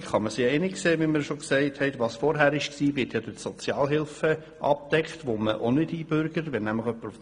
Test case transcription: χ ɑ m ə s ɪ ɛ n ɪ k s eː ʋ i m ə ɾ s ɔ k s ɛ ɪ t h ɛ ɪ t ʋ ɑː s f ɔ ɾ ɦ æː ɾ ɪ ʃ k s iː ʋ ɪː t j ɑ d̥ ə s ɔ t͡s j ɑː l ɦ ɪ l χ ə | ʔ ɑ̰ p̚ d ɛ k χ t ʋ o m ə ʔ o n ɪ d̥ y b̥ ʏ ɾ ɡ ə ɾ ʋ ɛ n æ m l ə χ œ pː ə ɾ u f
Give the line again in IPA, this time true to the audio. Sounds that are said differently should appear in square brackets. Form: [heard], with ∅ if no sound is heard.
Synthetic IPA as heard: χ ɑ m ə s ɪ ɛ n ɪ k s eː ʋ i m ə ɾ [ʃ] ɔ k s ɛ ɪ t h ɛ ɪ t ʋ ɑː s f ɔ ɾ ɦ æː ɾ ɪ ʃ k s iː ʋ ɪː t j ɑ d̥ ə s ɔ t͡s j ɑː l ɦ ɪ l [f] ə | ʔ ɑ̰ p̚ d ɛ k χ t ʋ o m ə ʔ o n ɪ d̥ [i] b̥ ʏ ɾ ɡ ə ɾ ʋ ɛ n æ m l ə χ œ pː ə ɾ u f